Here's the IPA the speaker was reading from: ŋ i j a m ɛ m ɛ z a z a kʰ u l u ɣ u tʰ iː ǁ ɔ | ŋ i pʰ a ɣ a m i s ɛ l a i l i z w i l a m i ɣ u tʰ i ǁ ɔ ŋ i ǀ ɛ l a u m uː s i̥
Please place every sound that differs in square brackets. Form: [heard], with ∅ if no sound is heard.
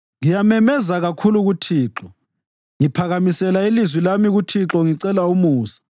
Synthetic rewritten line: ŋ i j a m ɛ m ɛ z a [ɣ] a kʰ u l u ɣ u tʰ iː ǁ ɔ | ŋ i pʰ a ɣ a m i s ɛ l a i l i z w i l a m i ɣ u tʰ i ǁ ɔ ŋ i ǀ ɛ l a u m uː s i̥